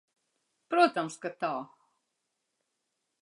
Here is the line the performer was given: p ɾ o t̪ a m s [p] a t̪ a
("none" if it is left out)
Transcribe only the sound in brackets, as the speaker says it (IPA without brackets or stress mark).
k